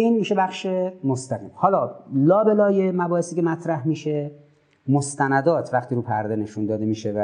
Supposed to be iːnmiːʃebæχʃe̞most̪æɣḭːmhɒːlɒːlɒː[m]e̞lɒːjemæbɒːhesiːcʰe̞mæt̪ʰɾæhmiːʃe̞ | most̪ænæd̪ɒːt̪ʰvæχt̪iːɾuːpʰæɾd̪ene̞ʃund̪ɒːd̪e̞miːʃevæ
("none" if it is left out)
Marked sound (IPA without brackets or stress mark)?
b